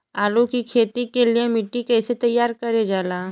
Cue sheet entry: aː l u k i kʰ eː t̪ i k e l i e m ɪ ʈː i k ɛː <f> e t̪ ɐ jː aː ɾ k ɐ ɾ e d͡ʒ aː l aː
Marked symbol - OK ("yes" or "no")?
no